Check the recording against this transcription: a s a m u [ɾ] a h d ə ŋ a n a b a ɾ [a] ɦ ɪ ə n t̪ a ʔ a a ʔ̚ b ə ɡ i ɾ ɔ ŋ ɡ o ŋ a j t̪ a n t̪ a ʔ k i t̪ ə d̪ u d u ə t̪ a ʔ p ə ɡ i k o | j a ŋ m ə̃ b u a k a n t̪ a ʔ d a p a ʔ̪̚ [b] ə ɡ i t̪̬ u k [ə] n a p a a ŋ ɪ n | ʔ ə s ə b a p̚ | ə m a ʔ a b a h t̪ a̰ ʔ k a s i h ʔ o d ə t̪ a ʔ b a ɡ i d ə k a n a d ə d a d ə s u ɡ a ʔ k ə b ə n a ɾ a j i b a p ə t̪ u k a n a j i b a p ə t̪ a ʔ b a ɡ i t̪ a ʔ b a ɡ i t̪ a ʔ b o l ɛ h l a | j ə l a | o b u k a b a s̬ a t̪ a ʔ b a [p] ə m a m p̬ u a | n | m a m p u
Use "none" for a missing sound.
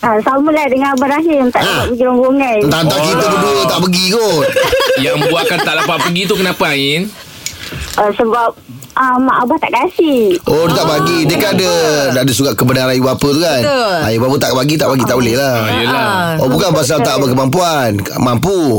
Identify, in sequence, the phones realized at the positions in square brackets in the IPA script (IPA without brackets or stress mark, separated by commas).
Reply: l, a, p, ə, k